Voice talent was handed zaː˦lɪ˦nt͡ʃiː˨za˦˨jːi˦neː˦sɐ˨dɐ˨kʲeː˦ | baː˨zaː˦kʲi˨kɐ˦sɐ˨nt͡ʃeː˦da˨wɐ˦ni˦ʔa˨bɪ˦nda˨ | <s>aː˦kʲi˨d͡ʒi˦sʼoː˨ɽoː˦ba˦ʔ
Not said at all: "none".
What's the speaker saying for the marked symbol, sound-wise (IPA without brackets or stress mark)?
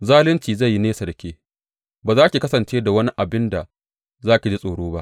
z